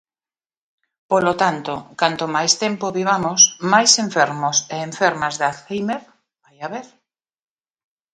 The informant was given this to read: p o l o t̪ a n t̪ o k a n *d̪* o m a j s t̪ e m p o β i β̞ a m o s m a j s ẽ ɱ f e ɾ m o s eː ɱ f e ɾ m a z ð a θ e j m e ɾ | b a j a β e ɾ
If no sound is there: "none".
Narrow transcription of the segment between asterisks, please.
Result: t̪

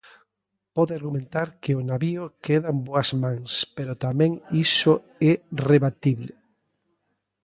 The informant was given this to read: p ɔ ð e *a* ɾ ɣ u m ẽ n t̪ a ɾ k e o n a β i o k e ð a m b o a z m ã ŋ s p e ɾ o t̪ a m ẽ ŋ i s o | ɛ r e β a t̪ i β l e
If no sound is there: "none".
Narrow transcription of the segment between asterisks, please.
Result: a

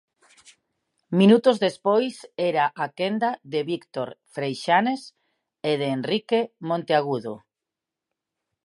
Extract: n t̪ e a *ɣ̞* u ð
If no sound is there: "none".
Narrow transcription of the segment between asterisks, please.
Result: ɣ̞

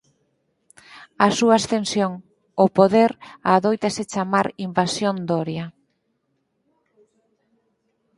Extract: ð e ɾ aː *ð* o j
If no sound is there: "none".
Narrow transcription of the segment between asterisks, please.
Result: ð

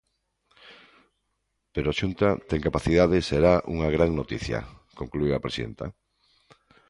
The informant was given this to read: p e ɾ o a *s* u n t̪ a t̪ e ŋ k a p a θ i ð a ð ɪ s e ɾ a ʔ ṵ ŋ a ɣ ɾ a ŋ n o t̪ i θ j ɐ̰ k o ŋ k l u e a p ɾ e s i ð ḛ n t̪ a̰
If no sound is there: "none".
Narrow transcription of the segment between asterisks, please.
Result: ʃ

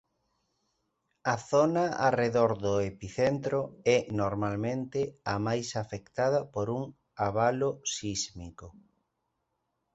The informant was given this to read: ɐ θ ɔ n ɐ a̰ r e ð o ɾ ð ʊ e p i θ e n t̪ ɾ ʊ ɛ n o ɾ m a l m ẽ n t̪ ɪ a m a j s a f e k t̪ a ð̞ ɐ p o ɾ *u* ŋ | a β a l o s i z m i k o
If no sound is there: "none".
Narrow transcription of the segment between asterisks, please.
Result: u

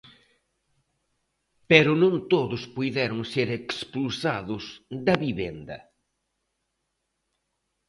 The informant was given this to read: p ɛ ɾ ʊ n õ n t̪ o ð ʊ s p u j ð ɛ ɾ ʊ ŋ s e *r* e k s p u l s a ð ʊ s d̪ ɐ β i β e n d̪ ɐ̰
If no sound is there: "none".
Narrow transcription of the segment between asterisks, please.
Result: ɾ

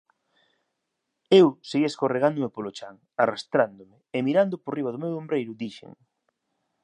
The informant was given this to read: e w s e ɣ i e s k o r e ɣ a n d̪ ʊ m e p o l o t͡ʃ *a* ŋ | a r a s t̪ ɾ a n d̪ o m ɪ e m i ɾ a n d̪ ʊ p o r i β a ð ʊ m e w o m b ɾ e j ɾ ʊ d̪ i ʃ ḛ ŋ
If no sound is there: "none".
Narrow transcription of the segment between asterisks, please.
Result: a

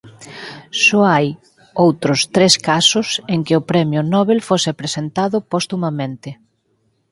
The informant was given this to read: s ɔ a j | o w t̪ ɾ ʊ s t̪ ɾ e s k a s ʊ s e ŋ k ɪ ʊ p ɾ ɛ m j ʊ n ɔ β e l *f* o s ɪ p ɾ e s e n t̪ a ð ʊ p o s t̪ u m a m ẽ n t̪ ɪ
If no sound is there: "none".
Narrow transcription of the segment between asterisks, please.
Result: f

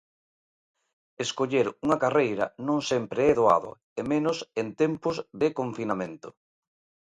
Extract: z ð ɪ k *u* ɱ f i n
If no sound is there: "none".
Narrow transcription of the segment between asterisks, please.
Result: o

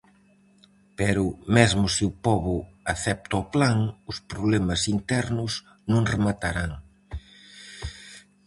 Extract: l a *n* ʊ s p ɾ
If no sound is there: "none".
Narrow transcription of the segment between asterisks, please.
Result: ŋ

